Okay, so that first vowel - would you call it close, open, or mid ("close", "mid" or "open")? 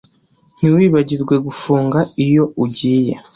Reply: close